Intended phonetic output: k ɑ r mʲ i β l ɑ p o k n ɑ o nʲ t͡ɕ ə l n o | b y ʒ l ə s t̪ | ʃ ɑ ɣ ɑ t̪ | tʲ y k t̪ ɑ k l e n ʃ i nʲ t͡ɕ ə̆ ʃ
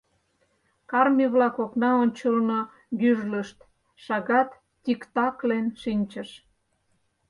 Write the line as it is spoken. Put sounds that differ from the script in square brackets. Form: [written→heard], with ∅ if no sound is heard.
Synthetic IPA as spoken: k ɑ r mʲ i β l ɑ [p→k] o k n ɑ o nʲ t͡ɕ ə l n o | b y ʒ l ə [s→ʃ] t̪ | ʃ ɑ ɣ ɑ t̪ | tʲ [y→i] k t̪ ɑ k l e n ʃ i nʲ t͡ɕ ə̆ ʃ